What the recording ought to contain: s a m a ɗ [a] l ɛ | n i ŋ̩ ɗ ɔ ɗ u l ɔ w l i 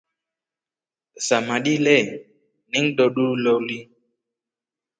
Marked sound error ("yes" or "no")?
yes